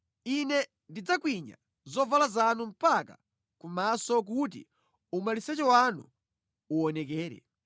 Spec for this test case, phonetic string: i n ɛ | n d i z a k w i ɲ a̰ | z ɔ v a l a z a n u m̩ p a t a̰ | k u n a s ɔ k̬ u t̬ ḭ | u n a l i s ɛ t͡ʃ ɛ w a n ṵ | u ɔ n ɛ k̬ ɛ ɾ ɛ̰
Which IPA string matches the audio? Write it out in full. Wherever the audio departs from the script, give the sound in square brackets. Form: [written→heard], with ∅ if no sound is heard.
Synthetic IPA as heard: i n ɛ | n d i [z→d͡z] a k w i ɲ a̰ | z ɔ v a l a z a n u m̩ p a [t→k] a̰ | k u [n→m] a s ɔ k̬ u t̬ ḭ | u [n→m] a l i s ɛ t͡ʃ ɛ w a n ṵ | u ɔ n ɛ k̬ [ɛ→ɛː] ɾ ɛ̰